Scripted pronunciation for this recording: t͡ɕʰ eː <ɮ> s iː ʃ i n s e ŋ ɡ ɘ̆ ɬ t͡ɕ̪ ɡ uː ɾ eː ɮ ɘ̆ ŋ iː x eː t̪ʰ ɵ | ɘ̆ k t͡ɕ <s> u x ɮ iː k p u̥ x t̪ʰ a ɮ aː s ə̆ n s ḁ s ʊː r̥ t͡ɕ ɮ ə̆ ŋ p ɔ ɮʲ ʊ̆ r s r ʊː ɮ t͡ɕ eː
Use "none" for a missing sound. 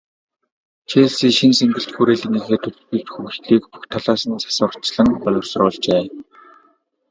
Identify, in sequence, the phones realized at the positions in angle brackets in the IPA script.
ɮ, x

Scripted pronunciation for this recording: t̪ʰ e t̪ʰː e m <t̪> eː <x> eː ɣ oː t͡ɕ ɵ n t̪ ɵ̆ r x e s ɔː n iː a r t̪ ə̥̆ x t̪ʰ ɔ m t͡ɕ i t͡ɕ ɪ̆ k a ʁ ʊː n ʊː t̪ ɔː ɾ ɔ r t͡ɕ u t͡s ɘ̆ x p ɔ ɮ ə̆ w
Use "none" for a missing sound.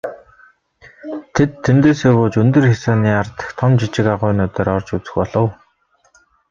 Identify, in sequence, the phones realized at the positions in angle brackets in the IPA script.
t̪, s

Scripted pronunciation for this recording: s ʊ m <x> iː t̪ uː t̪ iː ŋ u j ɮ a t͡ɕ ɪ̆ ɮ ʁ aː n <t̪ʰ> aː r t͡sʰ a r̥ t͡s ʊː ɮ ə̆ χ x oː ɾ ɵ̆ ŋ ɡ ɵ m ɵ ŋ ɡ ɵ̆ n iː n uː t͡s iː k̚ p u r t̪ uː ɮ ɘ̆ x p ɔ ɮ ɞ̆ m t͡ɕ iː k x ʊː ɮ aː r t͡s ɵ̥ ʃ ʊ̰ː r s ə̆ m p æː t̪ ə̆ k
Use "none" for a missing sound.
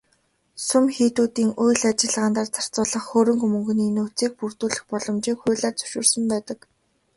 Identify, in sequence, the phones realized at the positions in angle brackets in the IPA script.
x, t̪

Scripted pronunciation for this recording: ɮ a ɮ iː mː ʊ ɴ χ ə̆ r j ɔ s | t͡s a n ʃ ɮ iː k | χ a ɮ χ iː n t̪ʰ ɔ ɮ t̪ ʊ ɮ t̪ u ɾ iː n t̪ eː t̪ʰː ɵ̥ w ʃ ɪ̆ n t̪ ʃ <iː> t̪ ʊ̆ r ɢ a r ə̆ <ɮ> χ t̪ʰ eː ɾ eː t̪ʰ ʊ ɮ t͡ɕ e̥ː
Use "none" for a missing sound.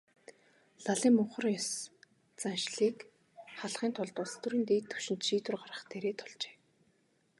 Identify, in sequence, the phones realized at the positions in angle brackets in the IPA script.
iː, none

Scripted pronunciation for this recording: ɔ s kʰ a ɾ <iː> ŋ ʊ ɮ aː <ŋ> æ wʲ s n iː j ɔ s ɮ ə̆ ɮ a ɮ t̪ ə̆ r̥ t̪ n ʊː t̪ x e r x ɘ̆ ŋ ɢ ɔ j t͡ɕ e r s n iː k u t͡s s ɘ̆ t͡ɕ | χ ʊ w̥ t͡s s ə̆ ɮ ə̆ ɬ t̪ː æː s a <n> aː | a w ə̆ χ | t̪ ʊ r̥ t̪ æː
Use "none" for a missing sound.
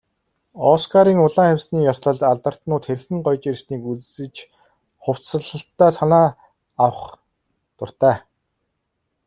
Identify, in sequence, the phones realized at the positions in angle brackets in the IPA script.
iː, ŋ, n

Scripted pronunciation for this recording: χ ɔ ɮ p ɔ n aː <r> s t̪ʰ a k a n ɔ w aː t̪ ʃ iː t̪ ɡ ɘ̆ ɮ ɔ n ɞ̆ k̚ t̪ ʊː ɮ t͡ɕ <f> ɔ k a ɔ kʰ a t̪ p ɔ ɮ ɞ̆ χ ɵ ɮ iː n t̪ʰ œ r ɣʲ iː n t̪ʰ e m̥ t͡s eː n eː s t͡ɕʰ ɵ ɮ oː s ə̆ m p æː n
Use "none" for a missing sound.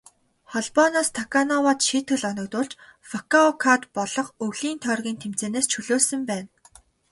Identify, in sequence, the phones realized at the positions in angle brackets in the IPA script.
none, f

